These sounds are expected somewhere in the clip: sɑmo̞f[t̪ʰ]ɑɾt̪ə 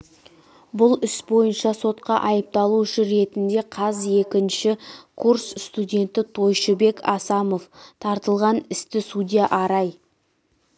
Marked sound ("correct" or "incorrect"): correct